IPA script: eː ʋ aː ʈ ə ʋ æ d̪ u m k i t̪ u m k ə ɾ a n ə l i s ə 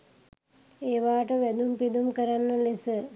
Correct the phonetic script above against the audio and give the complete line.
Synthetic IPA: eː ʋ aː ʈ ə ʋ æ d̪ u m p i d̪ u m k ə ɾ a nː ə l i s ə